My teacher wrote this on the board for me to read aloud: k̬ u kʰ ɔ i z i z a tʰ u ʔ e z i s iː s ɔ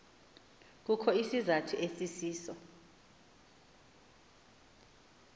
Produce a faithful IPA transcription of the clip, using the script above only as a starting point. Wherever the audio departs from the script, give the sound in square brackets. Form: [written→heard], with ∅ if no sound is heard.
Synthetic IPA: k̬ u kʰ ɔ i [z→s] i z a tʰ u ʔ e [z→s] i s iː s ɔ